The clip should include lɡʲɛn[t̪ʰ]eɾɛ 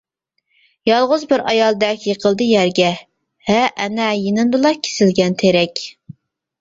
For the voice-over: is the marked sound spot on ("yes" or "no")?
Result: yes